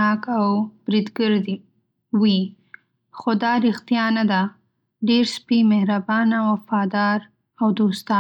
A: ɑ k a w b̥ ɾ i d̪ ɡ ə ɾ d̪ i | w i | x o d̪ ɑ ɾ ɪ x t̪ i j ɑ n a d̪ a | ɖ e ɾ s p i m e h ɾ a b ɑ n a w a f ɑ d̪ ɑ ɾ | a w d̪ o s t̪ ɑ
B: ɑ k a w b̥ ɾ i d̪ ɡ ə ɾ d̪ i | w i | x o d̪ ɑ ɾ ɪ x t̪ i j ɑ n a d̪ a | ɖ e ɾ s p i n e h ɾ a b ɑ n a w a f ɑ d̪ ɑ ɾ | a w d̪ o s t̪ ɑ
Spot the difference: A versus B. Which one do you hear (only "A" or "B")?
A